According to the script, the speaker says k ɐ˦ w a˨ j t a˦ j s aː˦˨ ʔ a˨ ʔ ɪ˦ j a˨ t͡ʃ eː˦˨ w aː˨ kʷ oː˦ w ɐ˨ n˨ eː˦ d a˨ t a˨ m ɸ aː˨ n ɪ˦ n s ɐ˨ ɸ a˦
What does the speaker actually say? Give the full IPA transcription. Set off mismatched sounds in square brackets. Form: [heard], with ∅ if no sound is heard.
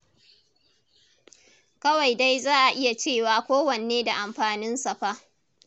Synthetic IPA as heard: k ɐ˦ w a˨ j [d] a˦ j [z] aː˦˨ ʔ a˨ ʔ ɪ˦ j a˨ t͡ʃ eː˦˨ w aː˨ kʷ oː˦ w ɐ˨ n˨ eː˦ d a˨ [ʔ] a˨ m ɸ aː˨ n ɪ˦ n s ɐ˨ ɸ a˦

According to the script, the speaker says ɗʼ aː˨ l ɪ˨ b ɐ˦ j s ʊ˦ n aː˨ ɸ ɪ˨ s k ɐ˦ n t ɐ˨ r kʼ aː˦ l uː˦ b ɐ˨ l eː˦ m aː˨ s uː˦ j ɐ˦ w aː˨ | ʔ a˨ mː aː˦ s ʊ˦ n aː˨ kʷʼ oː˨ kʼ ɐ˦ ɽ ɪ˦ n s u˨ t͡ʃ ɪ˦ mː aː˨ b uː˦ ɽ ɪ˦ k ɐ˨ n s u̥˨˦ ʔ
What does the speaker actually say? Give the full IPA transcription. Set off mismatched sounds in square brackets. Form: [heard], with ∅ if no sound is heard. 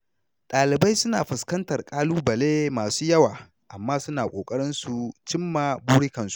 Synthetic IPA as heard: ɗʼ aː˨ l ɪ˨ b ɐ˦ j s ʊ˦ n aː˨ ɸ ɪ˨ s k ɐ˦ n t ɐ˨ r kʼ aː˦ l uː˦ b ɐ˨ l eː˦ m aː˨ s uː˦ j ɐ˦ w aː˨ | ʔ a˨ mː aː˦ s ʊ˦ n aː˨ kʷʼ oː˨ kʼ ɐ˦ ɽ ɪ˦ n s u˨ t͡ʃ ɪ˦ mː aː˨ b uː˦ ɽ ɪ˦ k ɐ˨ n s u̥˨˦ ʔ

